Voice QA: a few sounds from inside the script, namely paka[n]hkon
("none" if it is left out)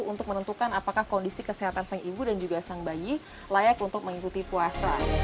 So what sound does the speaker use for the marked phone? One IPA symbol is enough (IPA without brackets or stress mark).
none